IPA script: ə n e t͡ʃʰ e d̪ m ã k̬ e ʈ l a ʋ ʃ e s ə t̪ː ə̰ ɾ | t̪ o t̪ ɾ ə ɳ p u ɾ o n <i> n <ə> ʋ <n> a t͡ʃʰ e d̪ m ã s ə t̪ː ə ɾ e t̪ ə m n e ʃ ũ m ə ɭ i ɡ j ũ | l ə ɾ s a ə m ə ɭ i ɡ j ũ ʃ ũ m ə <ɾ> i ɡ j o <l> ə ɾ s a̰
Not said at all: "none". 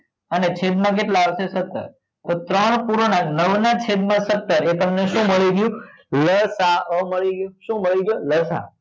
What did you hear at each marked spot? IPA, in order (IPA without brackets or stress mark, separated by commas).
a, ə, n, ɭ, l